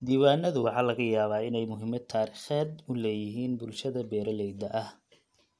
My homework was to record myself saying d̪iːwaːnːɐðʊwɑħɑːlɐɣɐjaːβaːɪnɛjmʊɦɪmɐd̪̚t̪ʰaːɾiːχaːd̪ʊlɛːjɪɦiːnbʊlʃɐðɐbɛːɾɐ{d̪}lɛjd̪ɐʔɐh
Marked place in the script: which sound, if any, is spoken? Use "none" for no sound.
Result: none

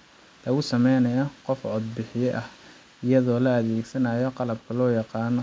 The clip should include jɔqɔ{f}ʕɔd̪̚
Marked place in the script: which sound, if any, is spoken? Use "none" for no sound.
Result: f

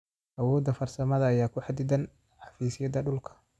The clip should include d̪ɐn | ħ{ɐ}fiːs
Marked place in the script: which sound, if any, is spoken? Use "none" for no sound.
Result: ɑ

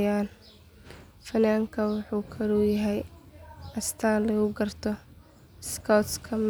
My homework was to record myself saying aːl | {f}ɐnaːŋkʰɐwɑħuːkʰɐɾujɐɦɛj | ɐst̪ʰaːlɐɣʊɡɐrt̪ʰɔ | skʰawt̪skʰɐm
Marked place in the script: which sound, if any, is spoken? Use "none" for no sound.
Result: f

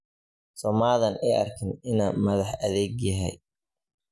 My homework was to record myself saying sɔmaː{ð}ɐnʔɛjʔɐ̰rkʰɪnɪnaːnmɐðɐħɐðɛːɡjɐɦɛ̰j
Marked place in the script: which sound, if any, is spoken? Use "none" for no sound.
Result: ð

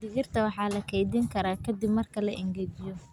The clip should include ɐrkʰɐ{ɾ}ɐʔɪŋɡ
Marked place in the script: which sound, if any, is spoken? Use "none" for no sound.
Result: l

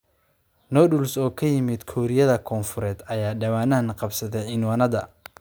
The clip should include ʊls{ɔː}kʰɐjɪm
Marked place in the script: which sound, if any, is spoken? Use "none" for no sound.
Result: ɔː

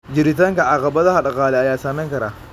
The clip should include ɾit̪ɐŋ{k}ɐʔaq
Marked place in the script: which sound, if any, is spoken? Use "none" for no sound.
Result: k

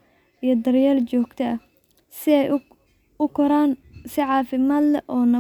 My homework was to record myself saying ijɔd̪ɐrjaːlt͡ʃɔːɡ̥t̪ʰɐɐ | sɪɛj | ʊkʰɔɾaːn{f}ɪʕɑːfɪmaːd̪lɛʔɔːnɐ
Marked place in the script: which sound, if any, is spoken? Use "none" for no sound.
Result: s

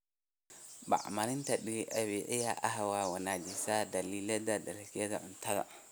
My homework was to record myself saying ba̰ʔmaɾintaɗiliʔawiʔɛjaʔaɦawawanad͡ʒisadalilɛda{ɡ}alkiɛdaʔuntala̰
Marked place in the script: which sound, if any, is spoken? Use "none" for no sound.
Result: d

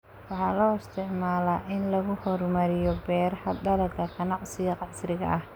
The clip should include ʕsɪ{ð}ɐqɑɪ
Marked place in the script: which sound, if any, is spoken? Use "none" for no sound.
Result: ɣ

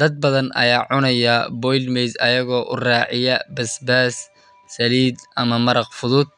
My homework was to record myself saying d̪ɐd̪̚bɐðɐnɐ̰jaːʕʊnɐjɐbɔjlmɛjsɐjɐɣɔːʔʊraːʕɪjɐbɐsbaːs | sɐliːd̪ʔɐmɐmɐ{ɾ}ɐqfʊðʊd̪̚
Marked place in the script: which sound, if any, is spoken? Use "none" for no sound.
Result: ɾ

